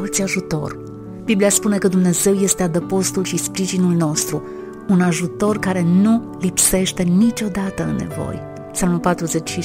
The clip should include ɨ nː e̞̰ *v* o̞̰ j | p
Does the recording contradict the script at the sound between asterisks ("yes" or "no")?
no